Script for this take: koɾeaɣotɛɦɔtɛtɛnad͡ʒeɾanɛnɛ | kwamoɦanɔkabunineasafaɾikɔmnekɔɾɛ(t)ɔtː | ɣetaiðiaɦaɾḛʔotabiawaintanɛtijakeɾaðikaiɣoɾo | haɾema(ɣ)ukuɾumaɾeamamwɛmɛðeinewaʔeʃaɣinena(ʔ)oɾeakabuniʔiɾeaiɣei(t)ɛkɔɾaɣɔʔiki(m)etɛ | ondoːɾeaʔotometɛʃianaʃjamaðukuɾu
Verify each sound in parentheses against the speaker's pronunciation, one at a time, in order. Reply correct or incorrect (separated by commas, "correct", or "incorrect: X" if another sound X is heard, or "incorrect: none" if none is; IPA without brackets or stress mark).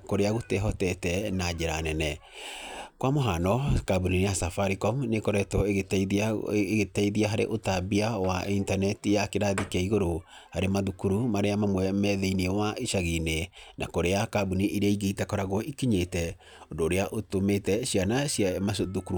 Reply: correct, incorrect: ð, incorrect: k, correct, incorrect: ɲ